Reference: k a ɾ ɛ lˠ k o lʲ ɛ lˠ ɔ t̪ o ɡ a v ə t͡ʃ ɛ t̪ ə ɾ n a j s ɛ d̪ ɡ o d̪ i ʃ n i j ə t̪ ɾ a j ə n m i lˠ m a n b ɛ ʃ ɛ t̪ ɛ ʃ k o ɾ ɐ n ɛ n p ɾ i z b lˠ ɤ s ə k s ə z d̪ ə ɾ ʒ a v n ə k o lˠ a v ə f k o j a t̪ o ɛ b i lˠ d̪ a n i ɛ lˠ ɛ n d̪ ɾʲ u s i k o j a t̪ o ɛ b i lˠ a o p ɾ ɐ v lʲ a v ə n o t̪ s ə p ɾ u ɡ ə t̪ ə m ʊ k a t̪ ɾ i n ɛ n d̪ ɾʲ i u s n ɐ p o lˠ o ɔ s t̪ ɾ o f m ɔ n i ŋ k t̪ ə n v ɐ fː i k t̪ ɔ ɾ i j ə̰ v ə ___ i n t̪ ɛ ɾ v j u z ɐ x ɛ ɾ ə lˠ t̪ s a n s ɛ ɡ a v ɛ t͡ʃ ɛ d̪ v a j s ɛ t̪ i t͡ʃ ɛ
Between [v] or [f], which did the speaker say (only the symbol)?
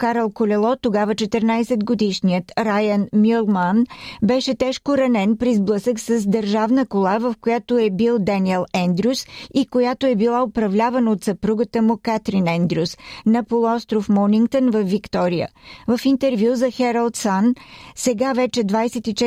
f